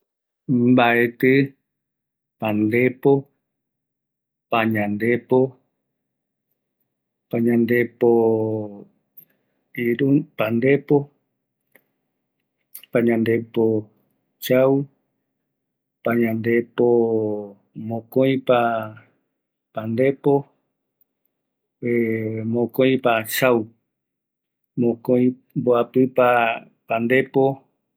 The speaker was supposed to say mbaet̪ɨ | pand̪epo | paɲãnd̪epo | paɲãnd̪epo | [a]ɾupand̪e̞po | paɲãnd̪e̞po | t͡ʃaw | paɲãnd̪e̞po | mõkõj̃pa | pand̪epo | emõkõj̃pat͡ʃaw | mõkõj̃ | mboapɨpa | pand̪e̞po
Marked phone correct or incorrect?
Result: incorrect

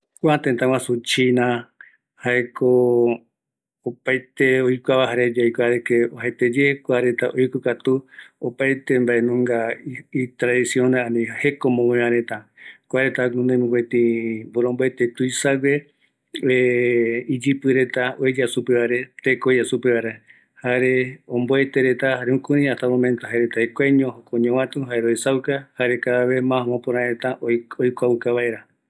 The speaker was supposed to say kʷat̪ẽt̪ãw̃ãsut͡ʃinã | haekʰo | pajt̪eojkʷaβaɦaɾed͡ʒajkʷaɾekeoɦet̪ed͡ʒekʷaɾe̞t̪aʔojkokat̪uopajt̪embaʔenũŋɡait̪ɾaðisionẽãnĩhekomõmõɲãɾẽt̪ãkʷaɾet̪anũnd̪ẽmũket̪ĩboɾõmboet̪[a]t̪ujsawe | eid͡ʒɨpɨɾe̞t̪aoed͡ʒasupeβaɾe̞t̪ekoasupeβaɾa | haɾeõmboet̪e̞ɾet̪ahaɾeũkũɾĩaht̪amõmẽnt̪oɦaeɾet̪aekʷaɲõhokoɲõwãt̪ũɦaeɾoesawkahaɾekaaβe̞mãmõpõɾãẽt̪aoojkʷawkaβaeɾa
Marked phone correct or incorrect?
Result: incorrect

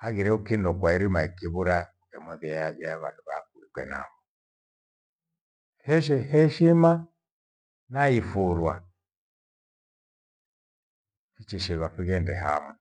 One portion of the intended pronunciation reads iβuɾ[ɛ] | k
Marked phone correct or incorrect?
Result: incorrect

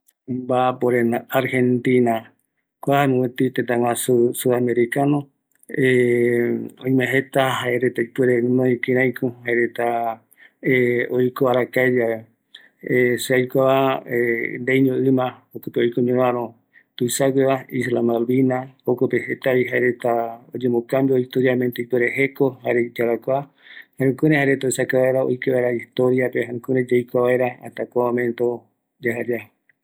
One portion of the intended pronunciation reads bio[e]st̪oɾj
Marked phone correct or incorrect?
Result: incorrect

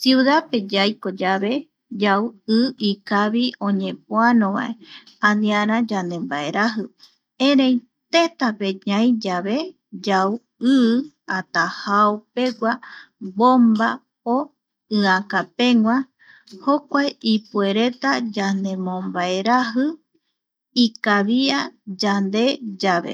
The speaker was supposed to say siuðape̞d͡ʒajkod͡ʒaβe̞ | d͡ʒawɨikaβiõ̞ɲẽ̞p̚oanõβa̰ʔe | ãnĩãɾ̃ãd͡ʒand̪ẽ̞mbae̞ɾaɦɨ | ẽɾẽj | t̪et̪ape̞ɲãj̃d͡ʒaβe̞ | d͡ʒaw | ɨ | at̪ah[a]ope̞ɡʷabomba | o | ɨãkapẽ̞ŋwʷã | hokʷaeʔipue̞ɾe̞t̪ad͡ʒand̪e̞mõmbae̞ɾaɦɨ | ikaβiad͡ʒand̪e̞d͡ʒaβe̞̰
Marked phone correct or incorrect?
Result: correct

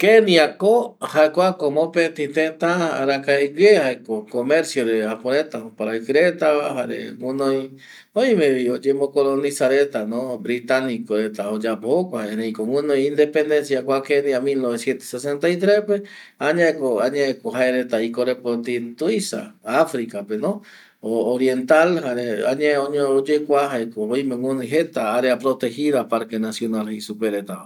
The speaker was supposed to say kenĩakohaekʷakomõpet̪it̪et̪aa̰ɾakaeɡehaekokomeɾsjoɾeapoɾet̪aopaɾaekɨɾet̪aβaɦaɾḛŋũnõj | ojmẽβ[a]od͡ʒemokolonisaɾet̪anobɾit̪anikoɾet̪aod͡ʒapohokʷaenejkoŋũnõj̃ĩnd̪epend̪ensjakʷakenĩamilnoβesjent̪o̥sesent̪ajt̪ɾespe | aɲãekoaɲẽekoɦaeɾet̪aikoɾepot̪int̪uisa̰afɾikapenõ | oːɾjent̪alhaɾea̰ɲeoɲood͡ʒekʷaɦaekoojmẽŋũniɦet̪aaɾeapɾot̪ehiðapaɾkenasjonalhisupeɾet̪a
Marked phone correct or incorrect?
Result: incorrect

